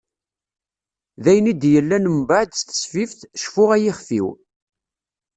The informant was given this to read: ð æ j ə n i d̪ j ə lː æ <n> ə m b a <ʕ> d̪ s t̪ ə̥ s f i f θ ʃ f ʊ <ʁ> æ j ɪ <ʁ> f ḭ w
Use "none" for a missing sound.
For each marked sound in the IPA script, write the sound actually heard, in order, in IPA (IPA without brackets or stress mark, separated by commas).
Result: n, ʕ, ʁ, χ